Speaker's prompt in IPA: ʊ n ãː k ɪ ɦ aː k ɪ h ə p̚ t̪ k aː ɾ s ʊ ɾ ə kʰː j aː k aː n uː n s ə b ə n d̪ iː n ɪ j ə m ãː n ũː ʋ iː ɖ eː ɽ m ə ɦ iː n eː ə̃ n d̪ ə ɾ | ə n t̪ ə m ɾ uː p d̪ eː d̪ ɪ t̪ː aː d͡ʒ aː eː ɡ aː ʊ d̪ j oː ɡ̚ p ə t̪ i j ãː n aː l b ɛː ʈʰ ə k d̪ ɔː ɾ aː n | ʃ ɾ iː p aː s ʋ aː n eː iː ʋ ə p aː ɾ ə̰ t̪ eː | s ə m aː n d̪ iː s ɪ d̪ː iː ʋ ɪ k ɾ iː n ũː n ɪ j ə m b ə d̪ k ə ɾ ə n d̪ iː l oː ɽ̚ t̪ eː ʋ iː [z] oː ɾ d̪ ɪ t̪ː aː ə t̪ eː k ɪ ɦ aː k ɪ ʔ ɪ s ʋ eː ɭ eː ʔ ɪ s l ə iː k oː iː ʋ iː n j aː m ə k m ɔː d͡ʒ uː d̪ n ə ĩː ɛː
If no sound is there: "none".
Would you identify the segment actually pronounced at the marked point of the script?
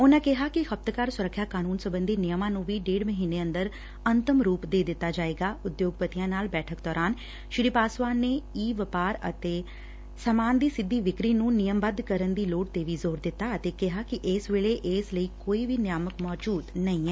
z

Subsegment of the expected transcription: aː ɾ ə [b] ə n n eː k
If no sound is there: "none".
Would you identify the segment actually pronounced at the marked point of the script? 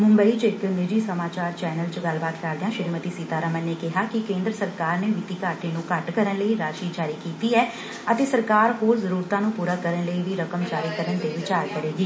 m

